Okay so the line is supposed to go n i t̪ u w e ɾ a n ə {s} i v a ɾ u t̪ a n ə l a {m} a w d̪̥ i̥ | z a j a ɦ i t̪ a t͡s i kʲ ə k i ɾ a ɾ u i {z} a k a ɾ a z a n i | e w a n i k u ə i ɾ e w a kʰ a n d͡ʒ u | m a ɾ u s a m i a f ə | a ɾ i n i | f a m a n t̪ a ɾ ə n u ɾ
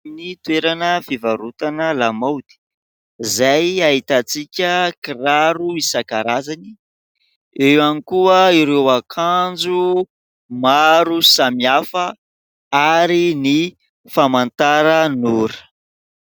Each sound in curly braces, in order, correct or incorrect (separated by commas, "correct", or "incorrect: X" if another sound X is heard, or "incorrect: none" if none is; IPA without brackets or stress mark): incorrect: f, correct, incorrect: s